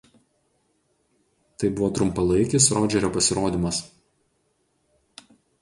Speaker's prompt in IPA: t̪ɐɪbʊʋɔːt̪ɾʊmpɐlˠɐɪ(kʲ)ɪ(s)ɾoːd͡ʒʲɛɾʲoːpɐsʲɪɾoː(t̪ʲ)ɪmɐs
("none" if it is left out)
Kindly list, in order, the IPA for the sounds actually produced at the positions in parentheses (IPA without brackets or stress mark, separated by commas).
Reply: kʲ, s, d̪ʲ